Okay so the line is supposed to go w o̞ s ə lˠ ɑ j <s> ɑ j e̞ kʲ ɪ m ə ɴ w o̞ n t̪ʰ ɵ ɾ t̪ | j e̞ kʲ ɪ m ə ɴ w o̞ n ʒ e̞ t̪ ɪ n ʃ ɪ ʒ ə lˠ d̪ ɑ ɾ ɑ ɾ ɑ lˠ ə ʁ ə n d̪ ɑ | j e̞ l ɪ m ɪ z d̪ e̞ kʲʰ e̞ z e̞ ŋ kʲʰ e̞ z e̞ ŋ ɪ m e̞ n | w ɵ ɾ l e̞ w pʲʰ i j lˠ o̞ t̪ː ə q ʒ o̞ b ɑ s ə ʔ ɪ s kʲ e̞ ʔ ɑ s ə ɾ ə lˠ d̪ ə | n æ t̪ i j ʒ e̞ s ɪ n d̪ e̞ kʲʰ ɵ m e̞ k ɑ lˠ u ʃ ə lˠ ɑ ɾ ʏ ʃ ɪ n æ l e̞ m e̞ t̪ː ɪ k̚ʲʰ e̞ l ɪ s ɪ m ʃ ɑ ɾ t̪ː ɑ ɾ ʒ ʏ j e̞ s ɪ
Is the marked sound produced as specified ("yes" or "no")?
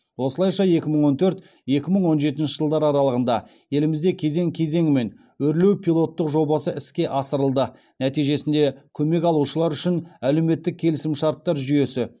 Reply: no